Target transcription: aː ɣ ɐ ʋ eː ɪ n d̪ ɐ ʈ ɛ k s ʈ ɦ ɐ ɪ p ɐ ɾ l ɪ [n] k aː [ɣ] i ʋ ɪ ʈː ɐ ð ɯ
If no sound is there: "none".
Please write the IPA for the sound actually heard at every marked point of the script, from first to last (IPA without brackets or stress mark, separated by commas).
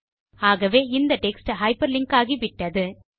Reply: ŋ, ɣ